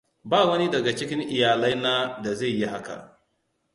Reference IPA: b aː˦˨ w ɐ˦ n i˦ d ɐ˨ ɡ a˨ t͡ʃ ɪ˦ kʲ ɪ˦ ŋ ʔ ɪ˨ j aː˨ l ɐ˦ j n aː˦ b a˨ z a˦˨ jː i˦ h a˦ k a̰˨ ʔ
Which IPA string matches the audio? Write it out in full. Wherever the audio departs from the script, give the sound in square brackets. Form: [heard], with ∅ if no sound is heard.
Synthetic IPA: b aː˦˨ w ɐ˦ n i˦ d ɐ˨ ɡ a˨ t͡ʃ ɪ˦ kʲ ɪ˦ ŋ ʔ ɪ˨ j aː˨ l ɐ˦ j n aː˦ [d] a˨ z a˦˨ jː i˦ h a˦ k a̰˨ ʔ